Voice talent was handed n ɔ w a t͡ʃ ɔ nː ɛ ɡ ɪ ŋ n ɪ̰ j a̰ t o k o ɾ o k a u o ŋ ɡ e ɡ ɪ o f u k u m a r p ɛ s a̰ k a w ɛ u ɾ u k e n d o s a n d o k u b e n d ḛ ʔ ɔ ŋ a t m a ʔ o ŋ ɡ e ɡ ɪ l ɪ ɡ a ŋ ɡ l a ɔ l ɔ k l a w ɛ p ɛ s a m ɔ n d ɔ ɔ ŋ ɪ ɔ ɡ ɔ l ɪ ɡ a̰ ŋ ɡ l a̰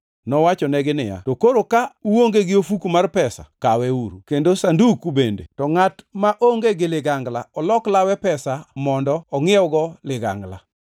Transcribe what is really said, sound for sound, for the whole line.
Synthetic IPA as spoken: n ɔ w a t͡ʃ ɔ n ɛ ɡ ɪ n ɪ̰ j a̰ t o k o ɾ o k a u o ŋ ɡ e ɡ ɪ o f u k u m a r p ɛ s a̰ k a w ɛ u ɾ u k e n d o s a n d u k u b e n d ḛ t ɔ ŋ a t m a ʔ o ŋ ɡ e ɡ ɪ l ɪ ɡ a ŋ ɡ l a ɔ l ɔ k l a w ɛ p ɛ s a m ɔ n d ɔ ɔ ŋ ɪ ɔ ɡ ɔ l ɪ ɡ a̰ ŋ ɡ l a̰